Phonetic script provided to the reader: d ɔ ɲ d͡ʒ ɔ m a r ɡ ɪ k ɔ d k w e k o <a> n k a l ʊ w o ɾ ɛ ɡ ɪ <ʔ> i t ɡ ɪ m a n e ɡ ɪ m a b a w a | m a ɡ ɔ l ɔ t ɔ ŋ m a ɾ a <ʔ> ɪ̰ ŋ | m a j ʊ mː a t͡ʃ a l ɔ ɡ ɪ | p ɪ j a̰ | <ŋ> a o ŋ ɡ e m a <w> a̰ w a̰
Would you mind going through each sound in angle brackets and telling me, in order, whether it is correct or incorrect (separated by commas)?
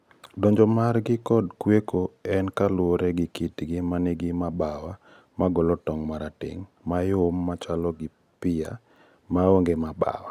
incorrect, incorrect, incorrect, incorrect, incorrect